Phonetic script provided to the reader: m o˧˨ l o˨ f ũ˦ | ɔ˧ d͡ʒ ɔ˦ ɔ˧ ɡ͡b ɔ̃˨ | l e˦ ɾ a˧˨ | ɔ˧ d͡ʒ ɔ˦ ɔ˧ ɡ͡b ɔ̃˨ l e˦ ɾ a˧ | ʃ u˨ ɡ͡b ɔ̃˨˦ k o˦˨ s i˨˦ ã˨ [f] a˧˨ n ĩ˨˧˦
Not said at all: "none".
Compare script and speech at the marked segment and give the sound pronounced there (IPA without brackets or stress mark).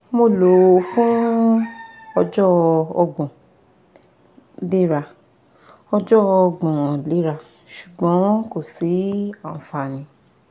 f